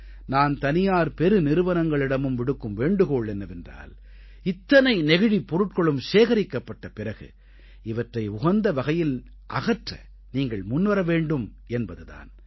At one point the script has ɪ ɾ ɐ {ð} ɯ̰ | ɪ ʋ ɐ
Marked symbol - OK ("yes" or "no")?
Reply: no